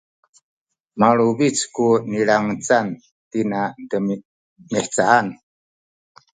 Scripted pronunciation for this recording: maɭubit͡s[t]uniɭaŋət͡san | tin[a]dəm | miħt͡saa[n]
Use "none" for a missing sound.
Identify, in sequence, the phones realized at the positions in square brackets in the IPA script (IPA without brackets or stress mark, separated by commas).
k, a, n